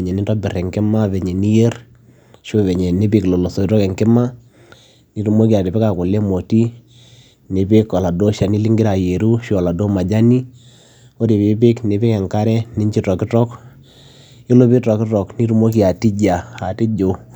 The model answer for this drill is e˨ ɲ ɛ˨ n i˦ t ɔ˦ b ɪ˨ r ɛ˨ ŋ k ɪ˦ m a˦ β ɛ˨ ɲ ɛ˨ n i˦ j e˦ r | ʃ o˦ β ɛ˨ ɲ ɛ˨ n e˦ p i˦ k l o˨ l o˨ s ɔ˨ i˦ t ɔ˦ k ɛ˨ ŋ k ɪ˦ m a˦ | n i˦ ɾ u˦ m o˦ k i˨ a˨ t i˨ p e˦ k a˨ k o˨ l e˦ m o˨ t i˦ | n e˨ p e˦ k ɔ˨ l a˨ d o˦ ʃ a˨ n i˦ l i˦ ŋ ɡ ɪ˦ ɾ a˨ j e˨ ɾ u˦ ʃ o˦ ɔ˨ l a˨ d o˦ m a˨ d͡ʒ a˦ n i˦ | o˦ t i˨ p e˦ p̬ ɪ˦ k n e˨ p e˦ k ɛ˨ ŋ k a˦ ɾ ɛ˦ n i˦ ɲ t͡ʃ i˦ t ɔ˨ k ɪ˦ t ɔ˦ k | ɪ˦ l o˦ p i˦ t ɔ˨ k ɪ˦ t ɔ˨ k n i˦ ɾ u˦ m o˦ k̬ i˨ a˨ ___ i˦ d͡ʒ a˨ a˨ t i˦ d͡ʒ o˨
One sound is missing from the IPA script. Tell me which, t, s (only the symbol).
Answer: t